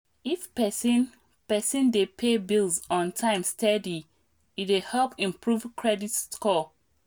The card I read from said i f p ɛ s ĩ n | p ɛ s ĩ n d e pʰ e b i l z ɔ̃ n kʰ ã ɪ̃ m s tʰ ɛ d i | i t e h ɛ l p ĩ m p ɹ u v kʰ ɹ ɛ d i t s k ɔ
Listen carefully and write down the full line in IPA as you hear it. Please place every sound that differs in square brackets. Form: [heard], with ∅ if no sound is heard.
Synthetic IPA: i f p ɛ s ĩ n | p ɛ s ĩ n d e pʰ e b i l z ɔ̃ n [tʰ] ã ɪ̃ m s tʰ ɛ d i | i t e h ɛ l p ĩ m p ɹ u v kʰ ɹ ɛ d i t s k ɔ